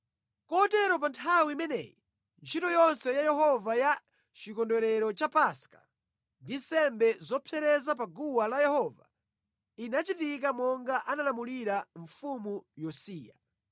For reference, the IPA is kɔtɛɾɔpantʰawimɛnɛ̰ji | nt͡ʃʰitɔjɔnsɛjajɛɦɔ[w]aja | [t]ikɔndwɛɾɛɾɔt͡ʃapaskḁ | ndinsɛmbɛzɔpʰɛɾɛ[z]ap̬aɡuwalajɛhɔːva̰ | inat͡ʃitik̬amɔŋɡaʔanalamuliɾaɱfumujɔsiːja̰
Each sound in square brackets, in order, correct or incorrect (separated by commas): incorrect, incorrect, correct